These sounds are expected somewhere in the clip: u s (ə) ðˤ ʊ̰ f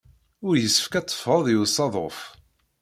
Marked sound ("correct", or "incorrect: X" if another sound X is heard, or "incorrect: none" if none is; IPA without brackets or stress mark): incorrect: ɑ